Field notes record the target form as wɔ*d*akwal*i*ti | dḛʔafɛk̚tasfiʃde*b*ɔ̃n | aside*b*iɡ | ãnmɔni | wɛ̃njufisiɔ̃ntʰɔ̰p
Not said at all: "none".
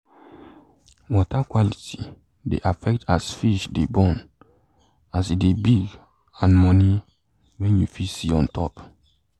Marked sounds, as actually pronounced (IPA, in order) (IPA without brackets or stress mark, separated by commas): t, i, b, b